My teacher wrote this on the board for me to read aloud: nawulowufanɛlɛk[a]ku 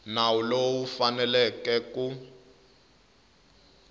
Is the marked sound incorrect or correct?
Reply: incorrect